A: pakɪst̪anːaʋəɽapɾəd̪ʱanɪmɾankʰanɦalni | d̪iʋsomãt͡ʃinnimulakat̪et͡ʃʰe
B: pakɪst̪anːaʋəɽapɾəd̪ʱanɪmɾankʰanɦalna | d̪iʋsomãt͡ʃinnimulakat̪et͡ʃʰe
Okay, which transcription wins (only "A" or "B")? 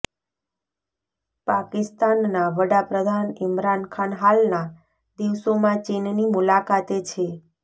B